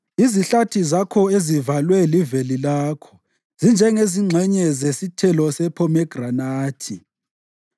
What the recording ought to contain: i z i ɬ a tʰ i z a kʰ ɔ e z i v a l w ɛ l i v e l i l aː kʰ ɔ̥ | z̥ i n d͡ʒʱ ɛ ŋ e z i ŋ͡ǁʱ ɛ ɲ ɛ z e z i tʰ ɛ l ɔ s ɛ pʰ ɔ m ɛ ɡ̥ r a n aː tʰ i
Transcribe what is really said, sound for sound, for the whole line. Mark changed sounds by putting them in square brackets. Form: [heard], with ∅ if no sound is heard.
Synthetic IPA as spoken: i z i ɬ a tʰ i z a kʰ ɔ e z i v a l w ɛ l i v e l i l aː kʰ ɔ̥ | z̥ i n d͡ʒʱ ɛ ŋ e z i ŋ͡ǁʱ ɛ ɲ ɛ z e [s] i tʰ ɛ l ɔ s ɛ pʰ ɔ m ɛ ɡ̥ r a n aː tʰ i